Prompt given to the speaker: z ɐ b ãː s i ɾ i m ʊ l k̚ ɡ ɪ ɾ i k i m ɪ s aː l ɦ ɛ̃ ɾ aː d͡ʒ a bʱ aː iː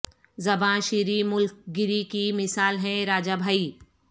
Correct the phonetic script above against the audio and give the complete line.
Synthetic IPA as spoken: z ɐ b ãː ʃ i ɾ i m ʊ l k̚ ɡ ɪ ɾ i k i m ɪ s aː l ɦ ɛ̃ ɾ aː d͡ʒ a bʱ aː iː